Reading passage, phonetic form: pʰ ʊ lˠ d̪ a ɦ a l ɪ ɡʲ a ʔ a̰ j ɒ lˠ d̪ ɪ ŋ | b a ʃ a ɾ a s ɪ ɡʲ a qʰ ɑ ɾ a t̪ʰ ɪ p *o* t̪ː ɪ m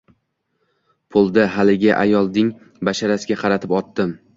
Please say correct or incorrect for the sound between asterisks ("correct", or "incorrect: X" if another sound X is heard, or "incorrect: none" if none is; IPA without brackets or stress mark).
incorrect: ɒ